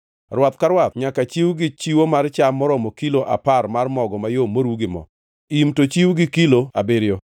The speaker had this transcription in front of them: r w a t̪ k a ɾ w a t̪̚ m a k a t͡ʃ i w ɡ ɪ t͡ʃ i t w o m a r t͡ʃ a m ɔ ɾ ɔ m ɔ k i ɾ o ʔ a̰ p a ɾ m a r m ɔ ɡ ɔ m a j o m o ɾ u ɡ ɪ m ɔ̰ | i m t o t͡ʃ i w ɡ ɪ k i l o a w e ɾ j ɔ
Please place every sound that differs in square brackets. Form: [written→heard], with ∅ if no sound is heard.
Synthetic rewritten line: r w a t̪ k a ɾ w a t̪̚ [m→ɲ] a k a t͡ʃ i w ɡ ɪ t͡ʃ i [t→∅] w o m a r t͡ʃ a m ɔ ɾ ɔ m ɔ k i [ɾ→l] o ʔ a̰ p a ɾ m a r m ɔ ɡ ɔ m a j o m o ɾ u ɡ ɪ m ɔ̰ | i m t o t͡ʃ i w ɡ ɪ k i l o a [w→b] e ɾ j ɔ